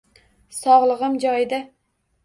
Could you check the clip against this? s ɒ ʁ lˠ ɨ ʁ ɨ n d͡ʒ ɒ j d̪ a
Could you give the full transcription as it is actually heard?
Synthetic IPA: s ɒ ʁ lˠ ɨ ʁ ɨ m d͡ʒ ɒ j d̪ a

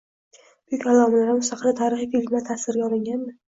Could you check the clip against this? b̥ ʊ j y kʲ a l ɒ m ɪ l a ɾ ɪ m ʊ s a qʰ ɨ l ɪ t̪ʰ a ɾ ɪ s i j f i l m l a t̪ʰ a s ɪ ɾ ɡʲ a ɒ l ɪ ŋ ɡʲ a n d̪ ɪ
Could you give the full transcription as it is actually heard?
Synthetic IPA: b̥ ʊ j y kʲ a l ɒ m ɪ l a ɾ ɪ m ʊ s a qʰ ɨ l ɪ t̪ʰ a ɾ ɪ χ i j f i l m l a t̪ʰ a s ɪ ɾ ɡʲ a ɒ l ɪ ŋ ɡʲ a n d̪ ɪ

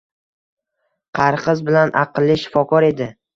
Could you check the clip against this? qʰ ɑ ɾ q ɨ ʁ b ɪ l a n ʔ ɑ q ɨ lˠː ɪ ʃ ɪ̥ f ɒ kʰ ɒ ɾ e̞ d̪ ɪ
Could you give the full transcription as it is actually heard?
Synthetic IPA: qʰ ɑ ɾ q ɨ z b ɪ l a n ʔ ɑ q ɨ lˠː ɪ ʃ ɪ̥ f ɒ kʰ ɒ ɾ e̞ d̪ ɪ

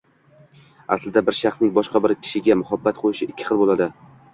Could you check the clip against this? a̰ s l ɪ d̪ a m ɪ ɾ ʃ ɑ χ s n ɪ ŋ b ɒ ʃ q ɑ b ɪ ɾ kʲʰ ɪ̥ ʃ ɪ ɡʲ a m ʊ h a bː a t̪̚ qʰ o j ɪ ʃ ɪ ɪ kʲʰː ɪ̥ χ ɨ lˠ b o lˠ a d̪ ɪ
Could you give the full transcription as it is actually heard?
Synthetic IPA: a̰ s l ɪ d̪ a b ɪ ɾ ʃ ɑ χ s n ɪ ŋ b ɒ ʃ q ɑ b ɪ ɾ kʲʰ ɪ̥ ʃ ɪ ɡʲ a m ʊ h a bː a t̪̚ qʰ o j ɪ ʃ ɪ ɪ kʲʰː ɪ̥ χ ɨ lˠ b o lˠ a d̪ ɪ

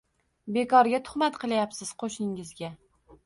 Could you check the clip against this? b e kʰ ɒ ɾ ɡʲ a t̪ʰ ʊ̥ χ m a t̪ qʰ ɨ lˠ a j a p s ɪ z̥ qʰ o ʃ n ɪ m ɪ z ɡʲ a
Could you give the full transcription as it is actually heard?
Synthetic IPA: b e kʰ ɒ ɾ ɡʲ a t̪ʰ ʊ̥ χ m a t̪ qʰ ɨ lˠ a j a p s ɪ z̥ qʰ o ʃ n ɪ ŋ ɪ z ɡʲ a

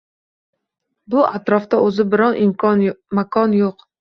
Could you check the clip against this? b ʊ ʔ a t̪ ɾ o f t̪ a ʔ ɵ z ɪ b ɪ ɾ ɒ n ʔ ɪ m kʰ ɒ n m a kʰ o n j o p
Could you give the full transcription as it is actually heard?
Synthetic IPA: b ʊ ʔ a t̪ ɾ ɒ f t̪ a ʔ ɵ z ɪ b ɪ ɾ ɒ n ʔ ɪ m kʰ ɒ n m a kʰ ɒ n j o q

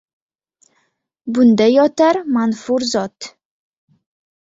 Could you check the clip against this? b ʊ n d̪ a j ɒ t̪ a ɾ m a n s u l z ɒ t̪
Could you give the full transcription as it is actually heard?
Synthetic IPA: b ʊ n d̪ a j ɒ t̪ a ɾ m a n f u ɾ z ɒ t̪

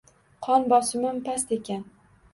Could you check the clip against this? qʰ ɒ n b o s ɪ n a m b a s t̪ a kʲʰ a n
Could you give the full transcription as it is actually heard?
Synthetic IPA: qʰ ɒ n b ɒ s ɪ m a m p a s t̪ e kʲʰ a n

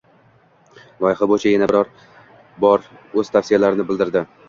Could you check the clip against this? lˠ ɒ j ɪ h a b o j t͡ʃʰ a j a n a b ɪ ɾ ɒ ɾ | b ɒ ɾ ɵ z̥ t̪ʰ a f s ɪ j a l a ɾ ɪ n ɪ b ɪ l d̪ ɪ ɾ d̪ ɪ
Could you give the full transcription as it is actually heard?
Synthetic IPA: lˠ ɒ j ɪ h a b o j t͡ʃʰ a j a n a b ɪ ɾ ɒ ɾ | b ɒ ɾ ɵ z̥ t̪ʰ a f s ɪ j a l a ɾ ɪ n ɪ b ɪ l d̪ ɪ ɾ d̪ ɪ

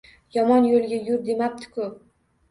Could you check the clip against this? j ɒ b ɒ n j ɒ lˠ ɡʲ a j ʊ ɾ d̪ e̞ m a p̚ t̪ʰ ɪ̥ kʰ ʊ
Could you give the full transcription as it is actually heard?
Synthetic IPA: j ɒ m ɒ n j o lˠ ɡʲ a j ʊ ɾ d̪ e̞ m a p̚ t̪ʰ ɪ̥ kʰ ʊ

